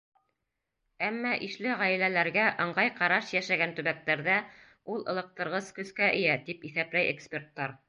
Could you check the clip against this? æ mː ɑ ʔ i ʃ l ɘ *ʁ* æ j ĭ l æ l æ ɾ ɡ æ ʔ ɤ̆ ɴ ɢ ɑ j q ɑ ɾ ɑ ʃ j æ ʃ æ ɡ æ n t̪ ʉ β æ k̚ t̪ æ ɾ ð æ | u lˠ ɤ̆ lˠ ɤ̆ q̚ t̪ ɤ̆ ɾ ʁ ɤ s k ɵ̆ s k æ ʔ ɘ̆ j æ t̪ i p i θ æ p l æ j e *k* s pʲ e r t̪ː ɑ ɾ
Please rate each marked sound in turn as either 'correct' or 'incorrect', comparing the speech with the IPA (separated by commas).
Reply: correct, correct